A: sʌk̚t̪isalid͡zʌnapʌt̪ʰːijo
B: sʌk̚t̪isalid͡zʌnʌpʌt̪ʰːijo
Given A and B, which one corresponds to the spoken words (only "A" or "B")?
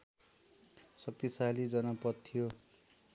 B